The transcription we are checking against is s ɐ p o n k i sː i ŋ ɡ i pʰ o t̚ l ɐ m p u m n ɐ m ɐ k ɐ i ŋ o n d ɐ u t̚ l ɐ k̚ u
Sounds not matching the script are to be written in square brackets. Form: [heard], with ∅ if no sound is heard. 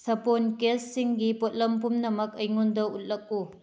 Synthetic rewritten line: s ɐ p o n k [e] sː i ŋ ɡ i [p] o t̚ l ɐ m p u m n ɐ m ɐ k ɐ [j] ŋ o n d ɐ u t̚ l ɐ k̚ u